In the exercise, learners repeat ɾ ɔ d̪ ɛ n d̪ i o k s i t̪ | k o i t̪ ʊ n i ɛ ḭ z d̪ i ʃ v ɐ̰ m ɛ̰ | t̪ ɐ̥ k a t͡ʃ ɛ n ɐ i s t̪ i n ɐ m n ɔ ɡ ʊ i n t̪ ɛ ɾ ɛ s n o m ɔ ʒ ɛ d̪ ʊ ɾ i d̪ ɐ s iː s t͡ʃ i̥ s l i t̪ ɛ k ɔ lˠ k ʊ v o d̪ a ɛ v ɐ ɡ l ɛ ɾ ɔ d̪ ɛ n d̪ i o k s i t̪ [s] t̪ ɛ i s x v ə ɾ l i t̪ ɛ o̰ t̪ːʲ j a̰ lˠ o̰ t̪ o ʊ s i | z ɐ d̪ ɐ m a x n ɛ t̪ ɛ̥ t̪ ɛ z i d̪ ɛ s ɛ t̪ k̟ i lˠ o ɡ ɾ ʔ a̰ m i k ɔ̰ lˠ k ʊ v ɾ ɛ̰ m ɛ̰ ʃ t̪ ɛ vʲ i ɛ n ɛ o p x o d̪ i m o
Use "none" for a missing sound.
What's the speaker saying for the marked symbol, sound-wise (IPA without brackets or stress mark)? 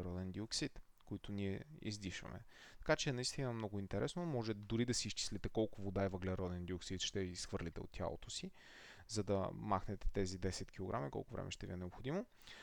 ʃ